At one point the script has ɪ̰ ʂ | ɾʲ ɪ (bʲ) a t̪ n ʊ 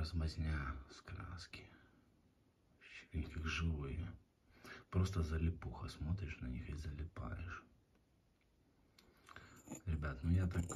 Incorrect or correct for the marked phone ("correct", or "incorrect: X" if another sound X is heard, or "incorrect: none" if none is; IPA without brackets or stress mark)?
correct